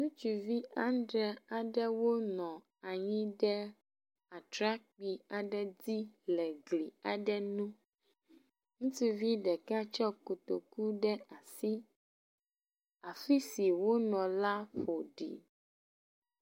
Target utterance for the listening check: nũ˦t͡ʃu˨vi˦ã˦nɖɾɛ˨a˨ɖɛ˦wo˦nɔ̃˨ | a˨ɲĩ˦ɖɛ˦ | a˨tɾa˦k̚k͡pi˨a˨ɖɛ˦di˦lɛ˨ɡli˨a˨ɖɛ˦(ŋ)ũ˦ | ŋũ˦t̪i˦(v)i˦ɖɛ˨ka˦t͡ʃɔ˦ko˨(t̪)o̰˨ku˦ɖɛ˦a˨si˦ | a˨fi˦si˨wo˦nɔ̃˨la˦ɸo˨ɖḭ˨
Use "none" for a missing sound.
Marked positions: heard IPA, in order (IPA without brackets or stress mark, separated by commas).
n, v, t̪